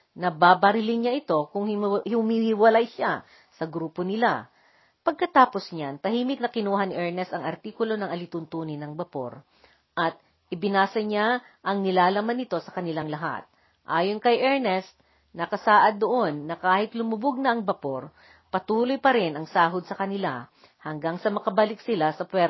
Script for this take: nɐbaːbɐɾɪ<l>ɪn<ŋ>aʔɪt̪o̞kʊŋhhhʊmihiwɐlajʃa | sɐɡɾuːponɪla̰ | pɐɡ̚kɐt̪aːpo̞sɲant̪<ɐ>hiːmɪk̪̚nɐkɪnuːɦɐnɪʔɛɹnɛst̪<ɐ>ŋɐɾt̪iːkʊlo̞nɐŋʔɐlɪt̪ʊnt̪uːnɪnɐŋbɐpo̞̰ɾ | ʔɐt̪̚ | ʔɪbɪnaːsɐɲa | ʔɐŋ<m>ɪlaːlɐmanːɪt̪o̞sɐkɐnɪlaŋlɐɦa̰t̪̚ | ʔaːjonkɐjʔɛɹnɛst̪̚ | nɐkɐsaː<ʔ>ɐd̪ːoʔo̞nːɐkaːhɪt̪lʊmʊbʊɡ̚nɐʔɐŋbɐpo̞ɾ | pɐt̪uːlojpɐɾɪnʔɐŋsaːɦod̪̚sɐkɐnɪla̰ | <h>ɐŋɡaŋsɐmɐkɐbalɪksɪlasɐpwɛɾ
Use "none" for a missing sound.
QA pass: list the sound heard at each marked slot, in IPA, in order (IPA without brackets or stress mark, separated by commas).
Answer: l, ɲ, ɐ, ɐ, n, ʔ, h